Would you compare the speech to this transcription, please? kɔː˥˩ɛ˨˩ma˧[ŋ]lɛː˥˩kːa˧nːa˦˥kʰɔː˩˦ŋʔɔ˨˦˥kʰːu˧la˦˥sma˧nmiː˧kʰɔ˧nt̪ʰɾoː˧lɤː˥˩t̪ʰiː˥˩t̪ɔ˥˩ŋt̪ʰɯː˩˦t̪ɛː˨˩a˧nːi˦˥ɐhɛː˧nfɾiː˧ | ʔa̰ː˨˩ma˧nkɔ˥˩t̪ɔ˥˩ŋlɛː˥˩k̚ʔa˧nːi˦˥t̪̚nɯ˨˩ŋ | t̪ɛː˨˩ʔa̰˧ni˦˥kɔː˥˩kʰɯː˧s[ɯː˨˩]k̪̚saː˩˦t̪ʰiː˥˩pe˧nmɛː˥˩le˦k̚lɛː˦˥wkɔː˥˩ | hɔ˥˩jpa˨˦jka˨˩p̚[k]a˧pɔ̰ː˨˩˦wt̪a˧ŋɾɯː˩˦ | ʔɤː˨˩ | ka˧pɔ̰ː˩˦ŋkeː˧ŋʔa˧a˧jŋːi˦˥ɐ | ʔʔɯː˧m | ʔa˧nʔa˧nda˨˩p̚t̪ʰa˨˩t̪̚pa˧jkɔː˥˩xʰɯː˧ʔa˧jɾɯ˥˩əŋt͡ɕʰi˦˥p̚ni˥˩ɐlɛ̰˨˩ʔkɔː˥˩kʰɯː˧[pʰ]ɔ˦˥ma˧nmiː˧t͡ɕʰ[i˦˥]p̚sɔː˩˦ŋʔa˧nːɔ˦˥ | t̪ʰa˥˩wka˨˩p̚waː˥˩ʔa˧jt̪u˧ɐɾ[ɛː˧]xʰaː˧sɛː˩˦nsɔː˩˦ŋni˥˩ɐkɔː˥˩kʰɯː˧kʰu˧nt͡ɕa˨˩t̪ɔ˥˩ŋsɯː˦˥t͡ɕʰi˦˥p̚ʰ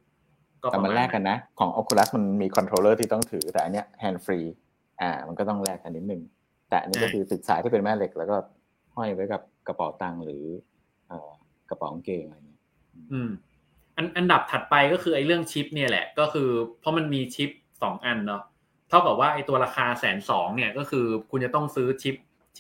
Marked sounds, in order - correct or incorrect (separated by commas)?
incorrect, incorrect, correct, correct, correct, incorrect